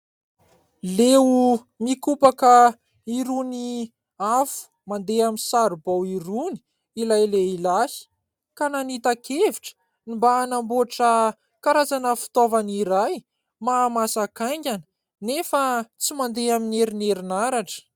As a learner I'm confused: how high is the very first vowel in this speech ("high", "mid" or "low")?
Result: mid